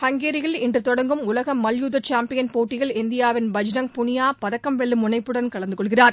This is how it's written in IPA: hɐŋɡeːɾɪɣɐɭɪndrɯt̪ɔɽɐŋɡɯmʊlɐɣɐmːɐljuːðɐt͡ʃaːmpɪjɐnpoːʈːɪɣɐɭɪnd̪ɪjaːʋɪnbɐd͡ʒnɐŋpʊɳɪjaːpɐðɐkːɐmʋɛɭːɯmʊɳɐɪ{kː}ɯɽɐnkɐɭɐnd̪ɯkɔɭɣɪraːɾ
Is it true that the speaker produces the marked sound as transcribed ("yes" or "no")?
no